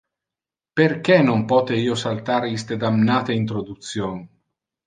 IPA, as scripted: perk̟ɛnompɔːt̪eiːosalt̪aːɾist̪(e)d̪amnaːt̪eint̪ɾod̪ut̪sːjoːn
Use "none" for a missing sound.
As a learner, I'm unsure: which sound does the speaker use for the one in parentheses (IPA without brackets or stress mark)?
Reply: e